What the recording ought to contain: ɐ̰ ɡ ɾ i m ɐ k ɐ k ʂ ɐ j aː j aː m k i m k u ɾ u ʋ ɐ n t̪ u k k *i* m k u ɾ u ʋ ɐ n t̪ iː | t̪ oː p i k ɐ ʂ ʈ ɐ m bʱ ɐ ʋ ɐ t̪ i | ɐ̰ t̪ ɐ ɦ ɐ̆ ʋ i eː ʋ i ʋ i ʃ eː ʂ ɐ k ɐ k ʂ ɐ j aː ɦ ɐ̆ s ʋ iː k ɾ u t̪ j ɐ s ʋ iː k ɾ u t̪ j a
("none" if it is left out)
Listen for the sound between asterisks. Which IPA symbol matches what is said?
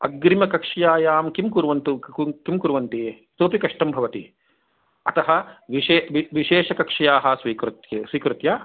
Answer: i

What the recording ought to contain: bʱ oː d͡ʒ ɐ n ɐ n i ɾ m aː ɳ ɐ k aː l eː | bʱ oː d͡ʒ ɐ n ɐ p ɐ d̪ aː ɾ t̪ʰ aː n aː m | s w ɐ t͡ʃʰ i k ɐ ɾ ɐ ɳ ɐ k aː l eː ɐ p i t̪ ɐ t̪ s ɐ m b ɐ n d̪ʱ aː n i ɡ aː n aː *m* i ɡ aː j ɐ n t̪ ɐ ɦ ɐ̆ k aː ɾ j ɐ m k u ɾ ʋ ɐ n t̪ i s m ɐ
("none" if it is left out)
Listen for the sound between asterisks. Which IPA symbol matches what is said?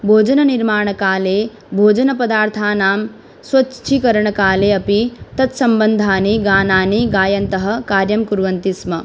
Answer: n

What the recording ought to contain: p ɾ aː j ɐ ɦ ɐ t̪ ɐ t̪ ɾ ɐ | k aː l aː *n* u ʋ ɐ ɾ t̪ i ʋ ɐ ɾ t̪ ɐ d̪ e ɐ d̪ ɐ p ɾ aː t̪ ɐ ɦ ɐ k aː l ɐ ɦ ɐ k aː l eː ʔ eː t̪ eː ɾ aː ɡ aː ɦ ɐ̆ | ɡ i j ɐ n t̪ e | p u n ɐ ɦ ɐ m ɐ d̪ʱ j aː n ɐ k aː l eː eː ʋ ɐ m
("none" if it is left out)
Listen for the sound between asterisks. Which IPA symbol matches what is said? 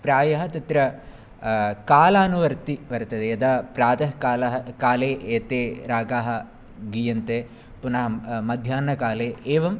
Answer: n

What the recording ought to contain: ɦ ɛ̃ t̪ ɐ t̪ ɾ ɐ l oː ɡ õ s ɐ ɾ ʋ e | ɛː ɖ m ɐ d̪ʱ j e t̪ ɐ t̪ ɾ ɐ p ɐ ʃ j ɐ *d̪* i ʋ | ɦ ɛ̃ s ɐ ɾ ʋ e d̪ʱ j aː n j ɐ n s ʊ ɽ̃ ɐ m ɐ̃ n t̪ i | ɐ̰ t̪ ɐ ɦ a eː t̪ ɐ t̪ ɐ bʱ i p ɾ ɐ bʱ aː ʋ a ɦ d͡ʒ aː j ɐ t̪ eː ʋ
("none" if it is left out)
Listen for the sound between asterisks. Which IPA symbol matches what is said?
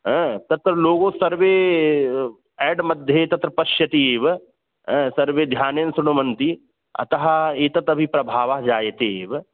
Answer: t̪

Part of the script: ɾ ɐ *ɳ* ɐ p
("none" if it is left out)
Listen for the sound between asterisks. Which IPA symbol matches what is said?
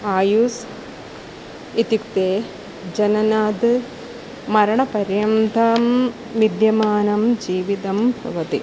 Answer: ɳ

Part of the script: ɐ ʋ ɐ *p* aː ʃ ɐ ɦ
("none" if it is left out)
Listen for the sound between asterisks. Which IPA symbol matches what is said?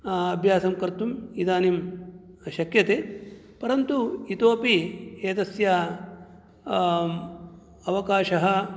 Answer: k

